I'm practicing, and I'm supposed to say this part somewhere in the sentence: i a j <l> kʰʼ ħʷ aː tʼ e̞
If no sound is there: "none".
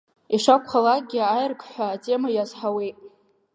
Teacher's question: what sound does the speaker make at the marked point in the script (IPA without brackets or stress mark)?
r